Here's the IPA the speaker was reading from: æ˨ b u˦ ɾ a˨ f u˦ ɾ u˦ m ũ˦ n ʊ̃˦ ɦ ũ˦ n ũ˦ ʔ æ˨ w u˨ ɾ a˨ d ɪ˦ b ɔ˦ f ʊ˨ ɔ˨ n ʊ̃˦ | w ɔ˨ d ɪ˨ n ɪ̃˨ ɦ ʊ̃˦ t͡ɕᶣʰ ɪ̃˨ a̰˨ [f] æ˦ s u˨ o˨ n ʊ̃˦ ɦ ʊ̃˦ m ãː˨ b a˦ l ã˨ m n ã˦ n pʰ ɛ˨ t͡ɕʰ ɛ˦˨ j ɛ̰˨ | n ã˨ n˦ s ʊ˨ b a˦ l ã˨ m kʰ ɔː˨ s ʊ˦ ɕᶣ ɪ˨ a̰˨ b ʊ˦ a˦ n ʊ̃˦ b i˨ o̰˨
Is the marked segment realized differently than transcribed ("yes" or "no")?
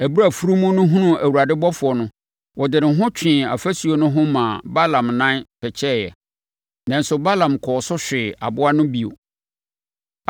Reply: no